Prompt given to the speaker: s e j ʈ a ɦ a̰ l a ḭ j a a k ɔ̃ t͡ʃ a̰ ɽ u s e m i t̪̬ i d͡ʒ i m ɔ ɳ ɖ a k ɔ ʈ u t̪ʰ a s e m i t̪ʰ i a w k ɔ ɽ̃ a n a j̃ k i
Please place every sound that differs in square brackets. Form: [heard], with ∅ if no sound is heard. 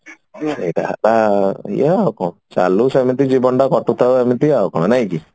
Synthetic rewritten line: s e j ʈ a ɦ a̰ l a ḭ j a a k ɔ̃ t͡ʃ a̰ [l] u s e m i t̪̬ i d͡ʒ i [b] ɔ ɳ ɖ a k ɔ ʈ u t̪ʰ a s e m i [t̪] i a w k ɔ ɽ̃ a n a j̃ k i